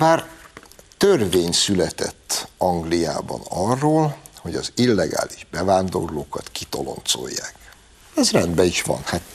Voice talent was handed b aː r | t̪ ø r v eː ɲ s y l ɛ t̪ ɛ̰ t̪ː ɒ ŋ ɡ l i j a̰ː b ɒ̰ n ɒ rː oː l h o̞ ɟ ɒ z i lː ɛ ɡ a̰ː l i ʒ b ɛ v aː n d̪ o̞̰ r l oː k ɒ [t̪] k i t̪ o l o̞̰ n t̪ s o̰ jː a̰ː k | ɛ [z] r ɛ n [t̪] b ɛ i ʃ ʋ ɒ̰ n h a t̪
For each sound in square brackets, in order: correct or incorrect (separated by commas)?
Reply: correct, correct, incorrect